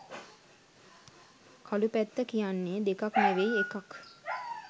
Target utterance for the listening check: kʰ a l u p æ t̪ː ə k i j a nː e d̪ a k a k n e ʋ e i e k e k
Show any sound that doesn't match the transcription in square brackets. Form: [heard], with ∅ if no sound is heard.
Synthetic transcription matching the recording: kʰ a l u p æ t̪ː ə k i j a nː e d̪ [e] k a k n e ʋ e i e k [a] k